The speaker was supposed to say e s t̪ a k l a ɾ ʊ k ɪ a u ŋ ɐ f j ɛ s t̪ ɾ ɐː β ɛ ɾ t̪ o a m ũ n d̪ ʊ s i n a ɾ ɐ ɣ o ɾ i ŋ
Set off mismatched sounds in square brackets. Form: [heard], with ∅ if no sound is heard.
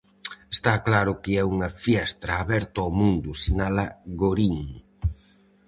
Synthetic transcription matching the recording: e s t̪ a k l a ɾ ʊ k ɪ [ɛ] u ŋ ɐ f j ɛ s t̪ ɾ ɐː β ɛ ɾ t̪ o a m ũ n d̪ ʊ s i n a [l] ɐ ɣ o ɾ i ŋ

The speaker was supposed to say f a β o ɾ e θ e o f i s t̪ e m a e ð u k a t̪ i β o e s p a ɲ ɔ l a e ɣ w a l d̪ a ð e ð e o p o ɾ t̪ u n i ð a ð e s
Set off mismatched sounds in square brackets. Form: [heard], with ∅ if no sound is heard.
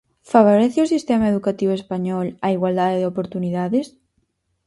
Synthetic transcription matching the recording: f a β o ɾ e θ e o [s] i s t̪ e m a e ð u k a t̪ i β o e s p a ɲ ɔ l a [i] ɣ w a l d̪ a ð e ð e o p o ɾ t̪ u n i ð a ð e s

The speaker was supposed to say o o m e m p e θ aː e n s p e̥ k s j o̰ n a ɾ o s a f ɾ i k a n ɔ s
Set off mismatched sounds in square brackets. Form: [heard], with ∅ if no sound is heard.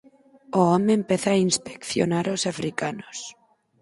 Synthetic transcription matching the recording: o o m e m p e θ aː [i] n s p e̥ k [θ] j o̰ n a ɾ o s a f ɾ i k a n [o] s

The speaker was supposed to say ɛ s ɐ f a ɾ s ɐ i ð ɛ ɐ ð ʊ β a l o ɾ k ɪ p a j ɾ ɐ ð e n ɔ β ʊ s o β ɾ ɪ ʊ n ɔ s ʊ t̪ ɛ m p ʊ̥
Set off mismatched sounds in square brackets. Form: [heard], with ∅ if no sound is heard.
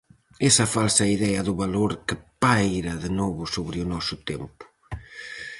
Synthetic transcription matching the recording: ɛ s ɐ f a [l] s ɐ i ð ɛ ɐ ð ʊ β a l o ɾ k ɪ p a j ɾ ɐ ð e n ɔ β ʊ s o β ɾ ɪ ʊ n ɔ s ʊ t̪ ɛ m p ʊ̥

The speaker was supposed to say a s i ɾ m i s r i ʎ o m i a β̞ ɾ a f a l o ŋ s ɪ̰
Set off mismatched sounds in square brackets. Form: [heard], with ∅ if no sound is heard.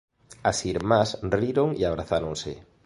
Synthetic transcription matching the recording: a s i ɾ m [a] s r i [ɾ] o [ŋ] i a β̞ ɾ a [θ] a [ɾ] o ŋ s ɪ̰

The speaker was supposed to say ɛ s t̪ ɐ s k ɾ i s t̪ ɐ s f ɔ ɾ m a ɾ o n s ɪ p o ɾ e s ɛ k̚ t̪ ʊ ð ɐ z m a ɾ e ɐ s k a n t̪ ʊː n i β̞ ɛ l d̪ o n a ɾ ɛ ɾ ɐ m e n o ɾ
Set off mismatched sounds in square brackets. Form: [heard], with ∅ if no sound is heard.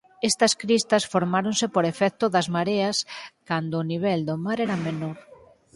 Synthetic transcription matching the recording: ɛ s t̪ ɐ s k ɾ i s t̪ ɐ s f [o] ɾ m a ɾ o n s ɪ p o ɾ e [f] ɛ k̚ t̪ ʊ ð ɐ z m a ɾ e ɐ s k a n [d̪] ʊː n i β̞ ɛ l d̪ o [m] a ɾ ɛ ɾ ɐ m e n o ɾ

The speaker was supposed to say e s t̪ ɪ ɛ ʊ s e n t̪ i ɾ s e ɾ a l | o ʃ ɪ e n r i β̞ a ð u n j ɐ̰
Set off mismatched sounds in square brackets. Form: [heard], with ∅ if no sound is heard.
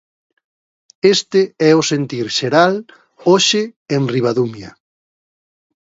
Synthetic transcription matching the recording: e s t̪ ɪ ɛ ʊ s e n t̪ i ɾ [ʃ] e ɾ a l | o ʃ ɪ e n r i β̞ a ð u [m] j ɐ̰

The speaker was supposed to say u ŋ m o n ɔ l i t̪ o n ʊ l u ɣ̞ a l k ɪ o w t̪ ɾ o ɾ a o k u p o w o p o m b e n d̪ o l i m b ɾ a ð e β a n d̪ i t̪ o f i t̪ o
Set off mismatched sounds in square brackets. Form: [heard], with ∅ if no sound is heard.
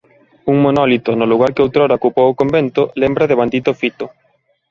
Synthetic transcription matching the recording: u ŋ m o n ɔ l i t̪ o n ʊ l u ɣ̞ a [ɾ] k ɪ o w t̪ ɾ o ɾ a o k u p o w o [k] o m b e n [t̪] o l [e] m b ɾ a ð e β a n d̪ i t̪ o f i t̪ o

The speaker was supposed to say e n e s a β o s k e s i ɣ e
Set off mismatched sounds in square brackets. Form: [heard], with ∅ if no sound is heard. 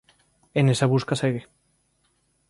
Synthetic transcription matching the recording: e n e s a β [u] s k [a] s [e] ɣ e

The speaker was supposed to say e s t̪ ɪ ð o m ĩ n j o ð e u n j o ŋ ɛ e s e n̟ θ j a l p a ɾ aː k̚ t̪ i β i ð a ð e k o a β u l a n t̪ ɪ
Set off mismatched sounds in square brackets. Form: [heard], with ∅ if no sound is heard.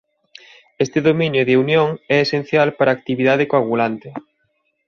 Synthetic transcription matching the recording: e s t̪ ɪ ð o m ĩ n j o ð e u n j o ŋ ɛ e s e n̟ θ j a l p a ɾ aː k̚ t̪ i β i ð a ð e k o a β u l a n t̪ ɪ

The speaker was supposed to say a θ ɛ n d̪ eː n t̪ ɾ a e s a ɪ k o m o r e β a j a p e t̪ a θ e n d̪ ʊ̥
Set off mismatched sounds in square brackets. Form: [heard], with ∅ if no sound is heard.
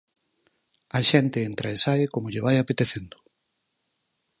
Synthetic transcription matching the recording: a [ʃ] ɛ n [t̪] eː n t̪ ɾ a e s a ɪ k o m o [ʎ] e β a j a p e t̪ [e] θ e n d̪ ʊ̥

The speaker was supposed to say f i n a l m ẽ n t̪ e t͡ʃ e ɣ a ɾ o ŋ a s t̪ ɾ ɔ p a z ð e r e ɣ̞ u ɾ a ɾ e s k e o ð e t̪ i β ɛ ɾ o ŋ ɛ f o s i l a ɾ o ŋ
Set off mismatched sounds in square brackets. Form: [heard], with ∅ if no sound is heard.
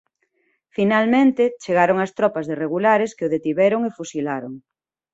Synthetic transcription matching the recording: f i n a l m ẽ n t̪ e t͡ʃ e ɣ a ɾ o ŋ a s t̪ ɾ ɔ p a z ð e r e ɣ̞ u [l] a ɾ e s k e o ð e t̪ i β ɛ ɾ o ŋ [e] f [u] s i l a ɾ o ŋ

